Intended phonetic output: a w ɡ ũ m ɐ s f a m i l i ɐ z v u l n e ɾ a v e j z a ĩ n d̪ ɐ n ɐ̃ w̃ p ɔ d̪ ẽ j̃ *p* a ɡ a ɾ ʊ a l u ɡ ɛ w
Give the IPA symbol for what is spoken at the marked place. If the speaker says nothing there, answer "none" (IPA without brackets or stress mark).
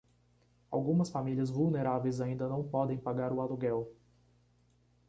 p